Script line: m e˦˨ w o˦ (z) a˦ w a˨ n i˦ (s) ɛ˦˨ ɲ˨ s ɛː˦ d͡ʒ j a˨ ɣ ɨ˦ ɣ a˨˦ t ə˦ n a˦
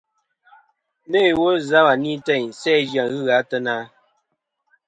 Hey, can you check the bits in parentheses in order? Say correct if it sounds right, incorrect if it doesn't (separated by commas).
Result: correct, incorrect